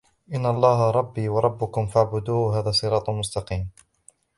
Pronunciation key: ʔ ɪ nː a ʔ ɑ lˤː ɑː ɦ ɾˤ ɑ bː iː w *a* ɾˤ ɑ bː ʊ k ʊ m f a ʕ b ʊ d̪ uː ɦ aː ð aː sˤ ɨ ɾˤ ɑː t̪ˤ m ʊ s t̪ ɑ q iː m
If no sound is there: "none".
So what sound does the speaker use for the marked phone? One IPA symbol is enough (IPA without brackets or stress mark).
ɑ